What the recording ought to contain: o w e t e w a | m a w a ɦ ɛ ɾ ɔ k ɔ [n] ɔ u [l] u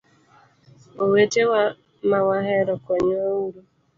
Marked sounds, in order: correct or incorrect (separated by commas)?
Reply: incorrect, incorrect